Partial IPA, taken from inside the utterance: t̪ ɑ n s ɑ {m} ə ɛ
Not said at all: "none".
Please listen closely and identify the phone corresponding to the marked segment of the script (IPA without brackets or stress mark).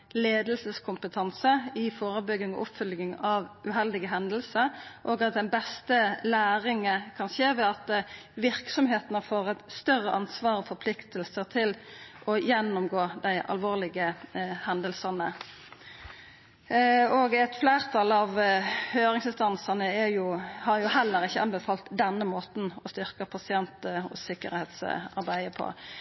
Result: n